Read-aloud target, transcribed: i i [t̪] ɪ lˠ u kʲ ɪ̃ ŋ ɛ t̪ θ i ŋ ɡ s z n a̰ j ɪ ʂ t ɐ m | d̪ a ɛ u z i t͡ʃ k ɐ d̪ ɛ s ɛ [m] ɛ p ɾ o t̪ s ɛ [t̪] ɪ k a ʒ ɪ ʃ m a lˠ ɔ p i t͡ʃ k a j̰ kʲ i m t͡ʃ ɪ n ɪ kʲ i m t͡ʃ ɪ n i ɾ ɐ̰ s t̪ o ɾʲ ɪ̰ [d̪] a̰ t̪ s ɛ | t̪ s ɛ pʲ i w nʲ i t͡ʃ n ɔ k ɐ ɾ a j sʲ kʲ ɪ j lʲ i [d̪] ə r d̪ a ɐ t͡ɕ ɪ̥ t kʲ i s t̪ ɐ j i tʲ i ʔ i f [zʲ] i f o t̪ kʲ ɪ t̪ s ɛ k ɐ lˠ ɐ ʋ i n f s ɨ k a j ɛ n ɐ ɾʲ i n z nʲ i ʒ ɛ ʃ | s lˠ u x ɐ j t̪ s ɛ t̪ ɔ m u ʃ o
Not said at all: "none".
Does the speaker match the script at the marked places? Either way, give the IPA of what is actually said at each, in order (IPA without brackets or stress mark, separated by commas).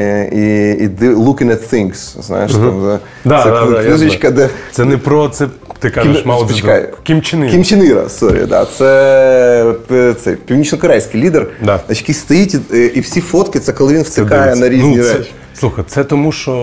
d̪, n, t̪, d̪, d̪, sʲ